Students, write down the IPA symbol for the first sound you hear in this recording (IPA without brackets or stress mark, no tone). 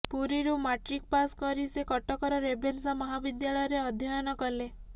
p